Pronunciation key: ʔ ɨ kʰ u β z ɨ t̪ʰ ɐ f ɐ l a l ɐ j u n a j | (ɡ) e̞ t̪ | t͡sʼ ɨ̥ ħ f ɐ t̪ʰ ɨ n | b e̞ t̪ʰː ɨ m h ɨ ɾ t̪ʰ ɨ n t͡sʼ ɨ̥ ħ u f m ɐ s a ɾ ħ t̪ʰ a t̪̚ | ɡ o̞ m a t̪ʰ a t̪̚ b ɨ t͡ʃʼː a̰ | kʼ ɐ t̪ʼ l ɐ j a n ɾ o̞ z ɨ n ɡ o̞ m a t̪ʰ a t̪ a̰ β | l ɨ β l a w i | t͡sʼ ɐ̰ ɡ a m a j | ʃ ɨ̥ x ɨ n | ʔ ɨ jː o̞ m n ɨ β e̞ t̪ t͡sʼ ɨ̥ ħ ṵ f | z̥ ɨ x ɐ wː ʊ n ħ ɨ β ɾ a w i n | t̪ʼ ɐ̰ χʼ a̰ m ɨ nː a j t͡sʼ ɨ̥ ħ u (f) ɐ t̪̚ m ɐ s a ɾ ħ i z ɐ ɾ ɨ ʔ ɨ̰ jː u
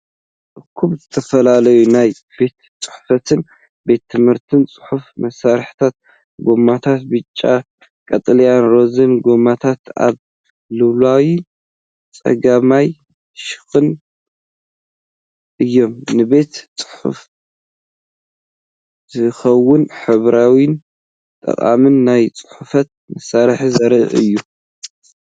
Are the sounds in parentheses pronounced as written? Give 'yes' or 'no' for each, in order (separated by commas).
no, yes